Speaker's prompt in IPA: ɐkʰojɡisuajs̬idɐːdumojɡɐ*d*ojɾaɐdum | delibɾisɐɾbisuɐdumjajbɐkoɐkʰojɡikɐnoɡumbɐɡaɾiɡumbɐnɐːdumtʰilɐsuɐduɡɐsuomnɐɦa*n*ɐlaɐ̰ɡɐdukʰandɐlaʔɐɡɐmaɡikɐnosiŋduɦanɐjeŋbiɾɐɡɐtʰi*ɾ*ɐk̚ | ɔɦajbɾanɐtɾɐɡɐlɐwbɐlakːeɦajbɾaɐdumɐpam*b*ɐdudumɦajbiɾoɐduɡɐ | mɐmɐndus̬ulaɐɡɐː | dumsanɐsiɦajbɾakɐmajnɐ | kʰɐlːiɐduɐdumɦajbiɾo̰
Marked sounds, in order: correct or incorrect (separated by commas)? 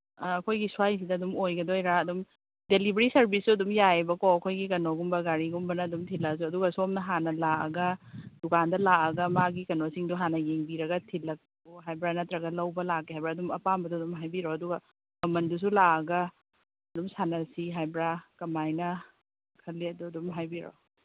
correct, correct, incorrect, correct